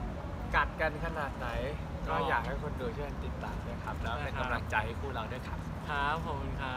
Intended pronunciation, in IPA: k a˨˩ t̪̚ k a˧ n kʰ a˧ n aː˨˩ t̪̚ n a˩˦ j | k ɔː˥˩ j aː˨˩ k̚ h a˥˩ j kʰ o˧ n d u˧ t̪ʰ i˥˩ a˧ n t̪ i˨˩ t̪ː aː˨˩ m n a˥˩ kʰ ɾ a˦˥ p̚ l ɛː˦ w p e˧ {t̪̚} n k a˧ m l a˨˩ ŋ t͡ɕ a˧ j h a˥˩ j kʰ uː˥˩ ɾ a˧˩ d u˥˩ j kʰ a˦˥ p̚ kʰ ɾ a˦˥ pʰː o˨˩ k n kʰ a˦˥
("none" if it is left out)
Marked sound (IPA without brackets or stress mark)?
none